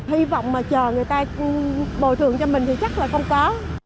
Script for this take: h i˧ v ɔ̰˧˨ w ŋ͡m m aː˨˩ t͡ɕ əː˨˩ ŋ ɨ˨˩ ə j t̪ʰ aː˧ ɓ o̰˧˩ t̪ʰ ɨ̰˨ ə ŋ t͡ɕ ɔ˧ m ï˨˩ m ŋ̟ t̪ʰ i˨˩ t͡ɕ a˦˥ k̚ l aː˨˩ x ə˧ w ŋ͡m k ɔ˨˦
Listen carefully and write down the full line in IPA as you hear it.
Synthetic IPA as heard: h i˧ v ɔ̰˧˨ w ŋ͡m m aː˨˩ t͡ɕ əː˨˩ ŋ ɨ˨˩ ə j t̪ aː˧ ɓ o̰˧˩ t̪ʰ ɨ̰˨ ə ŋ t͡ɕ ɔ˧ m ï˨˩ ŋ̟ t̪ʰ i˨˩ t͡ɕ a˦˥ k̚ l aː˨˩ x ə˧ w ŋ͡m k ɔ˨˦